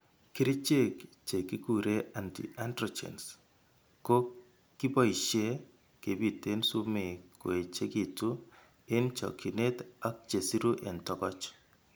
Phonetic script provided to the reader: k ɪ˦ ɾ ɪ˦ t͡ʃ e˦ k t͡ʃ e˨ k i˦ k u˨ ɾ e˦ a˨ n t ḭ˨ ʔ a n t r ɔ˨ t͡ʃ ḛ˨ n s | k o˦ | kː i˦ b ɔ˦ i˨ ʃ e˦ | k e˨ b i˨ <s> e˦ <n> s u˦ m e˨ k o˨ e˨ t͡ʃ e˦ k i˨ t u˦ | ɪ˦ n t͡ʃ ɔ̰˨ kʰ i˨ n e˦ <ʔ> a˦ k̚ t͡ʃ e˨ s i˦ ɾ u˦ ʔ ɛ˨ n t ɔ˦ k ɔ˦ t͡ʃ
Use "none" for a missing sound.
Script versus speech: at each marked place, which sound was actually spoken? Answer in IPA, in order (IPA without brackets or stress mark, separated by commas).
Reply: t, n, t